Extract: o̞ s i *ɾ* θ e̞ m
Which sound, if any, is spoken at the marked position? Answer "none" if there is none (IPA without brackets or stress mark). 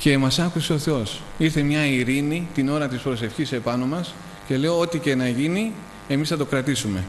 ɾ